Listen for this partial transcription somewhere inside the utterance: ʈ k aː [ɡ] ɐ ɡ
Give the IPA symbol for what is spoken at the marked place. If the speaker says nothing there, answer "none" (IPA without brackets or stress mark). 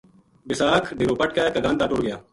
k